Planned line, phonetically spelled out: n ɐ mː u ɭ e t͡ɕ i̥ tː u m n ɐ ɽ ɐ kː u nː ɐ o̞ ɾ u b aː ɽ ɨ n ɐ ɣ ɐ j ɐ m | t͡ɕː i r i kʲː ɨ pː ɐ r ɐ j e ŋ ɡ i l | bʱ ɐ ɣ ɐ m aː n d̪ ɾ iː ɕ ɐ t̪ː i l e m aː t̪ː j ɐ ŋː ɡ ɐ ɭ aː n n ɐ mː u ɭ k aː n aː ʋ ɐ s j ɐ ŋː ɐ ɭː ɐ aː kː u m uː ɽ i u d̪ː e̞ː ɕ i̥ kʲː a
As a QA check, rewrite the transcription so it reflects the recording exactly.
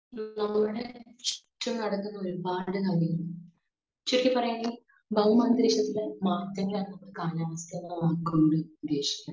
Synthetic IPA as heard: n ɐ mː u ɽ e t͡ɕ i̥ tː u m n ɐ ɽ ɐ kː u nː ɐ o̞ ɾ u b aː ɽ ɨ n ɐ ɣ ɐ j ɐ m | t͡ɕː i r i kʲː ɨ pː ɐ r ɐ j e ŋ ɡ i l | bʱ ɐ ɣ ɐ m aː n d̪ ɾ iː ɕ ɐ t̪ː i l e m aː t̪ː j ɐ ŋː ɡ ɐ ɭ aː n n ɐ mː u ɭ k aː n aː ʋ ɐ s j ɐ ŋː ɐ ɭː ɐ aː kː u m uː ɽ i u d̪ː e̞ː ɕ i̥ kʲː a